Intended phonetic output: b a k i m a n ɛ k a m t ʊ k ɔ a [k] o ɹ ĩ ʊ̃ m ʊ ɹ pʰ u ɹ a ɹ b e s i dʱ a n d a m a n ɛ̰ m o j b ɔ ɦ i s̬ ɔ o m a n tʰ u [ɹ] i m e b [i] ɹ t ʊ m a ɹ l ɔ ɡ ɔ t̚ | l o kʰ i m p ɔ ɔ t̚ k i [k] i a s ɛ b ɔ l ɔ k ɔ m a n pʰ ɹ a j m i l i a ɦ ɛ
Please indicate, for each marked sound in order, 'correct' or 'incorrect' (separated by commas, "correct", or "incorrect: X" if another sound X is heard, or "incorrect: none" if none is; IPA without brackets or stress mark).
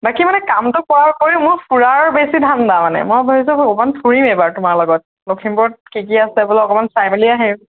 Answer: correct, correct, incorrect: a, correct